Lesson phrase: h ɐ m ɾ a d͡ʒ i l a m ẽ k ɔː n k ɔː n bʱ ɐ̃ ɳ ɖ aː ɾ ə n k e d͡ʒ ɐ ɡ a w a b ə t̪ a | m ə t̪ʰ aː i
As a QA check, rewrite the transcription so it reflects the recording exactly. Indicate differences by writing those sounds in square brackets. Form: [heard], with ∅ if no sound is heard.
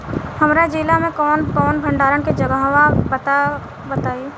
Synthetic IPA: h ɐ m ɾ a d͡ʒ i l a m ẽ k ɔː n k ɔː n bʱ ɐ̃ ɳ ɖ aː ɾ ə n k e d͡ʒ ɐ ɡ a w a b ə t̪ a | [b] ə [t̪] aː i